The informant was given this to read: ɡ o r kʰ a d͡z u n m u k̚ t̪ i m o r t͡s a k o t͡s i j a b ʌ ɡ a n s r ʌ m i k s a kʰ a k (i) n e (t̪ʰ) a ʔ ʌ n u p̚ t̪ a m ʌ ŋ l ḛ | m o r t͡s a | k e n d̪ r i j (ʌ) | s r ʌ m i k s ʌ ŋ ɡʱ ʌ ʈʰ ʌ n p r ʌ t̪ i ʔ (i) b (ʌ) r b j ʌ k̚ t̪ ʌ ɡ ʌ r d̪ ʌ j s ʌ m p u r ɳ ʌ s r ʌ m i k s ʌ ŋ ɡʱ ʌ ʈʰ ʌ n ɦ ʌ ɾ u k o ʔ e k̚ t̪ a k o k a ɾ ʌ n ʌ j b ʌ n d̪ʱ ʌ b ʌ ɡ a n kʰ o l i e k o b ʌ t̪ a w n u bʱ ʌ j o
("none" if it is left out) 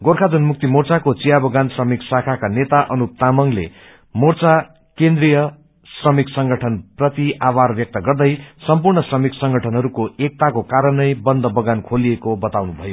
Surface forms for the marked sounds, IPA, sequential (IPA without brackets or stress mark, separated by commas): a, t̪, ʌ, a, a